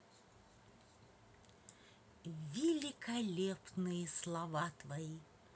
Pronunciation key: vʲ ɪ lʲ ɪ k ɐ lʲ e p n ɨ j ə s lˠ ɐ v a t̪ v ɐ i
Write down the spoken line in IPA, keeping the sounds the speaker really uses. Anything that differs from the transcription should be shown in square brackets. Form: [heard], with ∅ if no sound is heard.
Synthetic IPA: vʲ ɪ lʲ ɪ k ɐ lʲ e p n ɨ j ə s lˠ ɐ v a t̪ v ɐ i